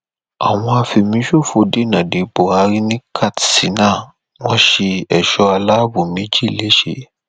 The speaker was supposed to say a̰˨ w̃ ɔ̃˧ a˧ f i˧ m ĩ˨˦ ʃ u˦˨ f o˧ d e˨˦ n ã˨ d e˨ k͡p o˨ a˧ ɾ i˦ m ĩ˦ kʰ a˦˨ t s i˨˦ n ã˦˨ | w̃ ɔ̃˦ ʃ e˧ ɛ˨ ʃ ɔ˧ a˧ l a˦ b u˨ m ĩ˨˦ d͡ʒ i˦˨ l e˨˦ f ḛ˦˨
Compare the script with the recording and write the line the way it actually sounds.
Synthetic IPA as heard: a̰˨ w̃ ɔ̃˧ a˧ f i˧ m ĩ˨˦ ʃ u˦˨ f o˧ d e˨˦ n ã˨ d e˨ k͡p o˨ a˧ ɾ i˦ n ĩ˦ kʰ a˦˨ t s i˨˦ n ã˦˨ | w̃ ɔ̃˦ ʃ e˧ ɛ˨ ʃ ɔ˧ a˧ l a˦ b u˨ m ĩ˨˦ d͡ʒ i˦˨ l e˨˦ ʃ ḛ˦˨